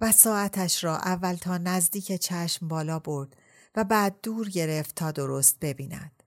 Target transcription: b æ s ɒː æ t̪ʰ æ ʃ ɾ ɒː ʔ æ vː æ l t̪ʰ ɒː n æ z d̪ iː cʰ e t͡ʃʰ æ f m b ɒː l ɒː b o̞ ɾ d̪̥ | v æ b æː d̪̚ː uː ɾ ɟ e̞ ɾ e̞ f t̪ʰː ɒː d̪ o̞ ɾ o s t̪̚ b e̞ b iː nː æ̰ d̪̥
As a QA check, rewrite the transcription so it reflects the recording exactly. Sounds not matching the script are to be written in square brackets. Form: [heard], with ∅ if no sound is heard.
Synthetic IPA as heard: [v] æ s ɒː æ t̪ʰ æ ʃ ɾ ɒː ʔ æ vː æ l t̪ʰ ɒː n æ z d̪ iː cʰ e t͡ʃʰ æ [ʃ] m b ɒː l ɒː b o̞ ɾ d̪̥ | v æ b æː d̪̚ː uː ɾ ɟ e̞ ɾ e̞ f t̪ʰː ɒː d̪ o̞ ɾ o s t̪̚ b e̞ b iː [n] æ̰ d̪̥